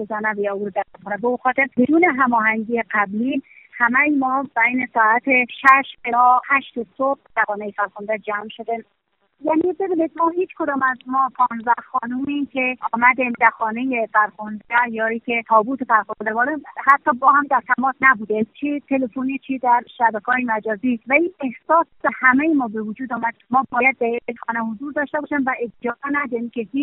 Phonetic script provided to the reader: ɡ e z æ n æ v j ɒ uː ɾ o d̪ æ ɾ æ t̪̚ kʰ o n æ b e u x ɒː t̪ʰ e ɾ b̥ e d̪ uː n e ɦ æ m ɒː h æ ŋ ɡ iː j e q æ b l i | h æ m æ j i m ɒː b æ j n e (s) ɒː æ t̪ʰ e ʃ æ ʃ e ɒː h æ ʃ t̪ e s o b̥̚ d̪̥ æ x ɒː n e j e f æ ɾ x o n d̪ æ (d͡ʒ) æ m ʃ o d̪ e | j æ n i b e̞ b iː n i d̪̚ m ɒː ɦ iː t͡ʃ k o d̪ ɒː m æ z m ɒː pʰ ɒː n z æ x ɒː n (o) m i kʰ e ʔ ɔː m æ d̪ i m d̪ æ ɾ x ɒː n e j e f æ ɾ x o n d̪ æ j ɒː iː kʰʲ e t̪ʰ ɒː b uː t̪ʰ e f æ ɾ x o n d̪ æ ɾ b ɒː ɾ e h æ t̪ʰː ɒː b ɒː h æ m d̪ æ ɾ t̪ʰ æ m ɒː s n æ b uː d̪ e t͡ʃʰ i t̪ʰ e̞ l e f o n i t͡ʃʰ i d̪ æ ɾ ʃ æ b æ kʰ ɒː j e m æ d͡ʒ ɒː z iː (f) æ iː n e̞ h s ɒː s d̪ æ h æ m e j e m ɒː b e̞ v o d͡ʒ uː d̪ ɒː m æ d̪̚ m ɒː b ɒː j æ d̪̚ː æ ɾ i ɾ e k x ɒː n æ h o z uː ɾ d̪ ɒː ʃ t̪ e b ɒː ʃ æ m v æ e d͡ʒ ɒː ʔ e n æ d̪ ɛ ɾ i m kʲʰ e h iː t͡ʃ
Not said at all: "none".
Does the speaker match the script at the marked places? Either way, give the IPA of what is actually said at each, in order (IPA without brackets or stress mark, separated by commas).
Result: s, d͡ʒ, u, v